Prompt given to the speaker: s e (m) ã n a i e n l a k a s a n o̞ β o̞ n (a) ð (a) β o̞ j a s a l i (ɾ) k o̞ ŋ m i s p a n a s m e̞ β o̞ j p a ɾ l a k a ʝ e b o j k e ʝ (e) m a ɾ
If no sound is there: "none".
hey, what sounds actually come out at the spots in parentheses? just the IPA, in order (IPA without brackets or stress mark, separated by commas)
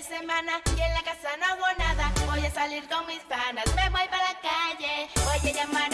m, a, a, ɾ, a